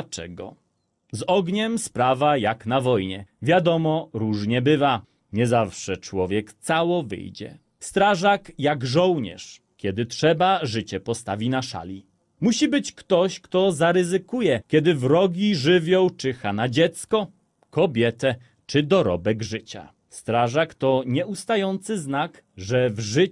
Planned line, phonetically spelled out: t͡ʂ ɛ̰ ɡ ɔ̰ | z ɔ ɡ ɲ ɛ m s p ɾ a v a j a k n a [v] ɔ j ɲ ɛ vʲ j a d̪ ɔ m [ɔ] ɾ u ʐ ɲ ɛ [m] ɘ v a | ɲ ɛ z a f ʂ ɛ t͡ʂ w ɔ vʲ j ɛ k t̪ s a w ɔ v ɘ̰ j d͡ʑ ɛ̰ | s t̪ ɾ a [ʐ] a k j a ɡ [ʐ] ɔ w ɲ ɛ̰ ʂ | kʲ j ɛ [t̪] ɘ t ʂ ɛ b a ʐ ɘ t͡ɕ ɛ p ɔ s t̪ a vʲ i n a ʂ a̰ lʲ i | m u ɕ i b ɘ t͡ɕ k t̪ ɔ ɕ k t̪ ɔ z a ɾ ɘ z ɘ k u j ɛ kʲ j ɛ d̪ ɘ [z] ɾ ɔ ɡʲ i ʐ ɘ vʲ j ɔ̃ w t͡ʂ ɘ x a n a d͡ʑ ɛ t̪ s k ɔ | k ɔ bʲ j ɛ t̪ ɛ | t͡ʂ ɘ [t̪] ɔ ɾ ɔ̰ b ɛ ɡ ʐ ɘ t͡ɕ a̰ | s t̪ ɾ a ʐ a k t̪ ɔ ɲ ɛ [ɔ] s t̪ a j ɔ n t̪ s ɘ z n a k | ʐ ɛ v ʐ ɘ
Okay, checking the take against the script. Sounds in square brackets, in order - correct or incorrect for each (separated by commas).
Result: correct, correct, incorrect, correct, correct, incorrect, incorrect, incorrect, incorrect